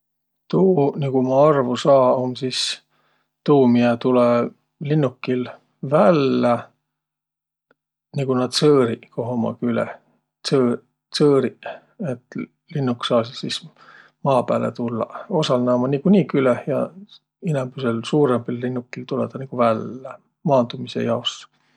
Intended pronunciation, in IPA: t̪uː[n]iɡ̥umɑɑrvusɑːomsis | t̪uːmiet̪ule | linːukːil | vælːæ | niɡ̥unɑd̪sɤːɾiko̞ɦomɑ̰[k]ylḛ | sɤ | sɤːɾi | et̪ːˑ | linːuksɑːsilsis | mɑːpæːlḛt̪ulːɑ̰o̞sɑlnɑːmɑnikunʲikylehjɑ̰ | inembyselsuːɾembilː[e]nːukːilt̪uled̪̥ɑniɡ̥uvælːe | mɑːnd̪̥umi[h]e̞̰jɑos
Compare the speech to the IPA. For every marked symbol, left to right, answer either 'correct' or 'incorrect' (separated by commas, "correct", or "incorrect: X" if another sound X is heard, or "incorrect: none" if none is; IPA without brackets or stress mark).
correct, correct, incorrect: i, incorrect: s